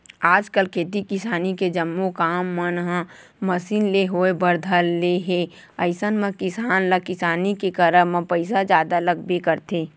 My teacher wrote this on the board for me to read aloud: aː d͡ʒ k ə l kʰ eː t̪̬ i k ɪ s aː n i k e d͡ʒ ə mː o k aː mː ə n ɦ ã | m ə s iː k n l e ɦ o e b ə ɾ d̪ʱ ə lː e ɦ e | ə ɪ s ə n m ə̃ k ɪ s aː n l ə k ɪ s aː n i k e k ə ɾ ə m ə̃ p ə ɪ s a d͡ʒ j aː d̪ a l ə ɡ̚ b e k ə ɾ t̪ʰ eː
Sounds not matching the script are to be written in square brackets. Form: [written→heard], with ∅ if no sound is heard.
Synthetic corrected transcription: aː d͡ʒ k ə l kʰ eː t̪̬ i k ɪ s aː n i k e d͡ʒ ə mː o k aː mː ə n ɦ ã | m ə s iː [k→∅] n l e ɦ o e b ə ɾ d̪ʱ ə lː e ɦ e | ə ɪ s ə n m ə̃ k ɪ s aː n l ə k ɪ s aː n i k e k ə ɾ ə m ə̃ p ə ɪ s a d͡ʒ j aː d̪ a l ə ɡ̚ b e k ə ɾ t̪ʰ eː